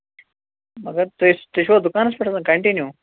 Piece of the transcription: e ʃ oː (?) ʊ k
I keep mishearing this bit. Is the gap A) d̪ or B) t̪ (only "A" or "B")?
A